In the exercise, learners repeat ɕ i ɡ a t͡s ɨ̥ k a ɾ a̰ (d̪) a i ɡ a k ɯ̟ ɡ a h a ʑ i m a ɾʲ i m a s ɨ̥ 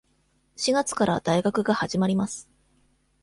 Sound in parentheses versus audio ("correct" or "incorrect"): correct